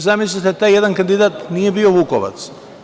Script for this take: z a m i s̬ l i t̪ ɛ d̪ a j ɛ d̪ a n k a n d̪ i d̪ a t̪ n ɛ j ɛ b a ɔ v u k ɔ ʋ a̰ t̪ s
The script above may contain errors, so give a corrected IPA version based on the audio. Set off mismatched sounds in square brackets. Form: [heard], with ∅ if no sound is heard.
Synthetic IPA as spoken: z a m i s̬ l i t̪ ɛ [t̪] a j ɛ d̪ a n k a n d̪ i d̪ a t̪ n [i] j ɛ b [i] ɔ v u k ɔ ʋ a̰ t̪ s